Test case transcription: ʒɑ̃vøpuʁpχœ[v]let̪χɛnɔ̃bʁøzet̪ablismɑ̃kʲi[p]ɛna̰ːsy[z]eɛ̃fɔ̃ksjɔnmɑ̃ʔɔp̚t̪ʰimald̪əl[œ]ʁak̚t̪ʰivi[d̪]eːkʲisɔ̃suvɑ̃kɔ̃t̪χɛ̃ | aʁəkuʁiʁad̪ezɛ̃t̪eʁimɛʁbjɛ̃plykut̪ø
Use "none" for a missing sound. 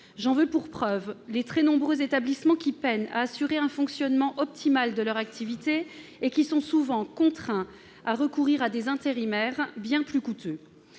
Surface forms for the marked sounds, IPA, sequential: v, p, ʁ, œ, t̪

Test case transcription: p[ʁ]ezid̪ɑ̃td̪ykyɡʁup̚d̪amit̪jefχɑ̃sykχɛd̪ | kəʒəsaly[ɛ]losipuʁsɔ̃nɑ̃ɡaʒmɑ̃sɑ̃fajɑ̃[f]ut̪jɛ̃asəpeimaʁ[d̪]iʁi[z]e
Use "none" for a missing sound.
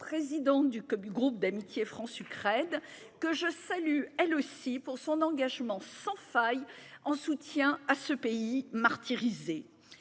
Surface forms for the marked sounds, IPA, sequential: χ, ɛ, s, t̪, z

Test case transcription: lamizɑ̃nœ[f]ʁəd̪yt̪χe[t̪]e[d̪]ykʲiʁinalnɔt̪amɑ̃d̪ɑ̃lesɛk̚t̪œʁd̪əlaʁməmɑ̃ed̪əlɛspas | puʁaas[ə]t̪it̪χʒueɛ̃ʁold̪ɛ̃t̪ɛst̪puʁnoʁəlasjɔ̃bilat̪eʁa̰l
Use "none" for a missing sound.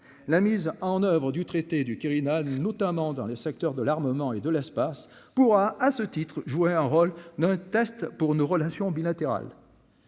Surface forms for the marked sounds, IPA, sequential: v, t̪, d̪, ə

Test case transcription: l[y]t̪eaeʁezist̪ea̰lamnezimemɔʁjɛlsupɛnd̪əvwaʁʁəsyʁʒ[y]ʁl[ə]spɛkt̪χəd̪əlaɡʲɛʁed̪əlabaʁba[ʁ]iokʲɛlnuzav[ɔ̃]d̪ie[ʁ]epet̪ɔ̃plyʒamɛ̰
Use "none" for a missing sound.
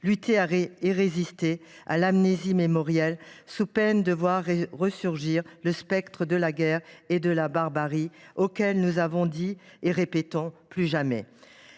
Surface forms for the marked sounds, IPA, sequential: y, i, ə, ʁ, ɔ̃, ʁ

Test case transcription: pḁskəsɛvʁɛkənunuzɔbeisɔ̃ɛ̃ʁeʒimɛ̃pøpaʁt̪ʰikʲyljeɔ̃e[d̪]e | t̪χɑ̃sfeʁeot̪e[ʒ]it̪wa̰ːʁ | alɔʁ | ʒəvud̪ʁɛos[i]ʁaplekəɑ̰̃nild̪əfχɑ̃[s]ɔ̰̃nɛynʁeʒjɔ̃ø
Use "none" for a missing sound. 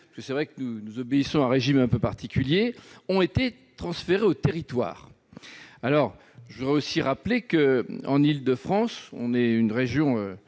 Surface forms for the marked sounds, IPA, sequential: t̪, ʁ, i, s

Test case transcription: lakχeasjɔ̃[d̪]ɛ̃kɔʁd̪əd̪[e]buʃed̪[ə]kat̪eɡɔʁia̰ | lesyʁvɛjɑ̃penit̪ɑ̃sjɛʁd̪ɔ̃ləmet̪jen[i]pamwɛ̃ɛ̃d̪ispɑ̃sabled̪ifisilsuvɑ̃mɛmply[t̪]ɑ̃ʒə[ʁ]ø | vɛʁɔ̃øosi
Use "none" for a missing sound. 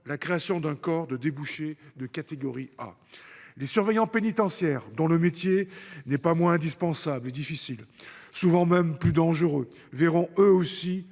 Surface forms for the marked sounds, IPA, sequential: d̪, e, ə, ɛ, d̪, ʁ

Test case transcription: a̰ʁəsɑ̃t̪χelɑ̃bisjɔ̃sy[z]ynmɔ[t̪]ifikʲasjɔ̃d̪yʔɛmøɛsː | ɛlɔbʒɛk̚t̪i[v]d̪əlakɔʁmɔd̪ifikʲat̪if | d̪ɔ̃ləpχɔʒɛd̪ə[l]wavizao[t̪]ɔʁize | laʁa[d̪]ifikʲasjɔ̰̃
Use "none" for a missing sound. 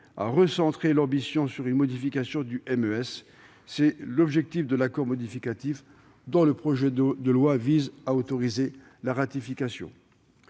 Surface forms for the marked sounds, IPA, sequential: ʁ, d̪, f, l, t̪, t̪

